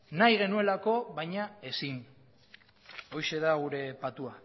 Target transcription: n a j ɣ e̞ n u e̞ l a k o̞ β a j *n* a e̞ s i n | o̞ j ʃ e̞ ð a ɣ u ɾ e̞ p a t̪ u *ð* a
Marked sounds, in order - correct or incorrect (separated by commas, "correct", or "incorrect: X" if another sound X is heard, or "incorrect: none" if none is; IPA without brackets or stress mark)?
incorrect: ɲ, incorrect: none